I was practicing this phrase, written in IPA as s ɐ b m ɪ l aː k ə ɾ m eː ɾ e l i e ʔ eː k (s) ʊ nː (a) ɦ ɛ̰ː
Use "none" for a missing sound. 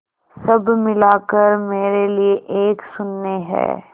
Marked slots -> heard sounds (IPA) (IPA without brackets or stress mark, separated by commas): s, e